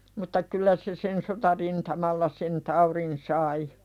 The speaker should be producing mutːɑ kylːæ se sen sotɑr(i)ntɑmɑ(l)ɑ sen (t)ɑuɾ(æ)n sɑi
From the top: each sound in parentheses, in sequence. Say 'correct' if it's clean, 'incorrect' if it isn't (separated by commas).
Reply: correct, incorrect, correct, incorrect